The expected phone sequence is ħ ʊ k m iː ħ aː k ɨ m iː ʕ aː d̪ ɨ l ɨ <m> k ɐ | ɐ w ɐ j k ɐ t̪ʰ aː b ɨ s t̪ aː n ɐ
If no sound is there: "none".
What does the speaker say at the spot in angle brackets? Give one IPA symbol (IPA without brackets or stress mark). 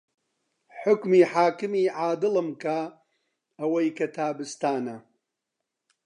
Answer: m